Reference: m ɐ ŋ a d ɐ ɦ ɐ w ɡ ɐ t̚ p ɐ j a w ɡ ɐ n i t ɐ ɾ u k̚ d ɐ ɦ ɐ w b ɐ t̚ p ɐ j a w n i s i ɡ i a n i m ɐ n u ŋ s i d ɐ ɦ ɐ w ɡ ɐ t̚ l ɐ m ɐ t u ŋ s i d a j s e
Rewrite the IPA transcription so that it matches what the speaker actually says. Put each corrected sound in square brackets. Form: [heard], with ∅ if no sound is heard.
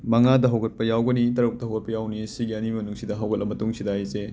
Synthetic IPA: m ɐ ŋ a d ɐ ɦ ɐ w ɡ ɐ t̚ p ɐ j a w ɡ ɐ n i t ɐ ɾ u k̚ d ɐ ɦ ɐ w [ɡ] ɐ t̚ p ɐ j a w n i s i ɡ i [ɐ] n i m ɐ n u ŋ s i d ɐ ɦ ɐ w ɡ ɐ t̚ l ɐ m ɐ t u ŋ s i d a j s e